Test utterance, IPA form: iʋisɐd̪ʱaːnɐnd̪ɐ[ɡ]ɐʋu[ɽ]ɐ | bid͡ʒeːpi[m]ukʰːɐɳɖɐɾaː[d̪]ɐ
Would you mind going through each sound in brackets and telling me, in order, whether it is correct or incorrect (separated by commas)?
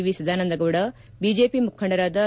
correct, correct, correct, correct